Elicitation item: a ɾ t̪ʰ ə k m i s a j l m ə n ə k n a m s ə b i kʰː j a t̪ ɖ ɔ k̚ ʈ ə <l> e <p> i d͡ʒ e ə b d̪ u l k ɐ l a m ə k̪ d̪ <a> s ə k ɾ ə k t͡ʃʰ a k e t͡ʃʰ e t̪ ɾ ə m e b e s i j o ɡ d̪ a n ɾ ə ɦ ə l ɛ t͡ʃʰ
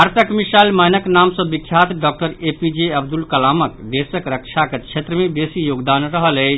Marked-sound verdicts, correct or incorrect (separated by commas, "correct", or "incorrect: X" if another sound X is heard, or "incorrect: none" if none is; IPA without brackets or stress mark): incorrect: ɾ, correct, incorrect: e